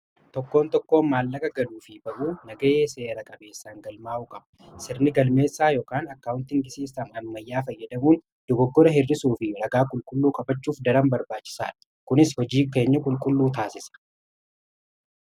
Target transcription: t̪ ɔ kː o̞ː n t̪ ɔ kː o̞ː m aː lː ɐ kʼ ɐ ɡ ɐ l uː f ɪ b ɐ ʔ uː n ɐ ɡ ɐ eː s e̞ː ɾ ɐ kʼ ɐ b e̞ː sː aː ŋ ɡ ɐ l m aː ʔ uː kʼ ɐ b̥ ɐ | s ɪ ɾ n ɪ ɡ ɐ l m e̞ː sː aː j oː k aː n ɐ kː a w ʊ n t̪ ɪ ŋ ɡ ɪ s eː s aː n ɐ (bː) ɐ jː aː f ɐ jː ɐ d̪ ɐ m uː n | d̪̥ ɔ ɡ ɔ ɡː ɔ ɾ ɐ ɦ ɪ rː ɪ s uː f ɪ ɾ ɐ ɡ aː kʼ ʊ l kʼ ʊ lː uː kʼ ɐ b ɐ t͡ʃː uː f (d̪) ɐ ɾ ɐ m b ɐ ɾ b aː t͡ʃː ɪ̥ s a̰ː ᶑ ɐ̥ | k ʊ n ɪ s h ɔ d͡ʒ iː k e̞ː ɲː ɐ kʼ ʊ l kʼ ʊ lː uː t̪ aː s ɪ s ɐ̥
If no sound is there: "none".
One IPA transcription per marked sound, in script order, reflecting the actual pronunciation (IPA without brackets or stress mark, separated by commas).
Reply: mː, d̪